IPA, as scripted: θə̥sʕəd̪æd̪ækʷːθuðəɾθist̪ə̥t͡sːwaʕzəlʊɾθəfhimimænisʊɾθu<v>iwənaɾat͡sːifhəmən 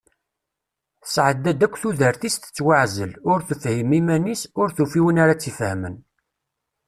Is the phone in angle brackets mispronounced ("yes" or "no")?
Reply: yes